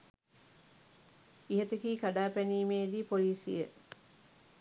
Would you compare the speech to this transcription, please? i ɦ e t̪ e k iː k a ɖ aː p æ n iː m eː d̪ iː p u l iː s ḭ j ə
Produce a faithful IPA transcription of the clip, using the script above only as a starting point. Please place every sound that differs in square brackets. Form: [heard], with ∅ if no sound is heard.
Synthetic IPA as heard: i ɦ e t̪ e k iː k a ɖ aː p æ n iː m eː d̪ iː p [o] l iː s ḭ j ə